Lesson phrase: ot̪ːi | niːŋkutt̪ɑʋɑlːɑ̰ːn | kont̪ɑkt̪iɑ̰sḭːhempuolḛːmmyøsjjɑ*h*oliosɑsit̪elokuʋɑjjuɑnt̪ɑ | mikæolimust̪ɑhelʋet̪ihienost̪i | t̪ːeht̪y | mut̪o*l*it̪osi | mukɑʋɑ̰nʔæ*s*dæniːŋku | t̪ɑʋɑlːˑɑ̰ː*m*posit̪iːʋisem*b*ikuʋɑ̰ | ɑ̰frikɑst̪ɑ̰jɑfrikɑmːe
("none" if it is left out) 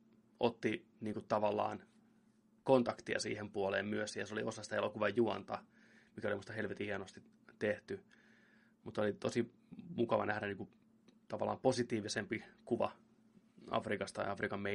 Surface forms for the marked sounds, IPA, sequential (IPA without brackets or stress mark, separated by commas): s, l, h, m, p